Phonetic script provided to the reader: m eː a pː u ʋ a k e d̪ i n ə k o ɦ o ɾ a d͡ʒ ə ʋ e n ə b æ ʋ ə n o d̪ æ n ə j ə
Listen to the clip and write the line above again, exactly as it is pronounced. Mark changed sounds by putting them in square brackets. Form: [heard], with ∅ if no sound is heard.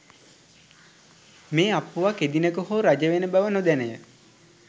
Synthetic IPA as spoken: m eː a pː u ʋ a k e d̪ i n ə k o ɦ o ɾ a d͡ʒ ə ʋ e n ə b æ ʋ ə n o d̪ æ n ə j ə